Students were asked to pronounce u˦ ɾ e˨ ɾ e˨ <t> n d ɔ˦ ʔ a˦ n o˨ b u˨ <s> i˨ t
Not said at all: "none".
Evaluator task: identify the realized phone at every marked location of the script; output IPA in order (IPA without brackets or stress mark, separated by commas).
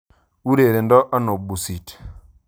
none, s